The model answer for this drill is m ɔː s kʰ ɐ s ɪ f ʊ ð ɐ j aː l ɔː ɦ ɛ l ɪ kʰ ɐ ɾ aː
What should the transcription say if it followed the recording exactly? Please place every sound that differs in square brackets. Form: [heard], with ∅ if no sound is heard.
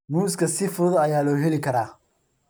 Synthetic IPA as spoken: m [uː] s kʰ ɐ s ɪ f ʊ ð ɐ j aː l ɔː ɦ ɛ l ɪ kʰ ɐ ɾ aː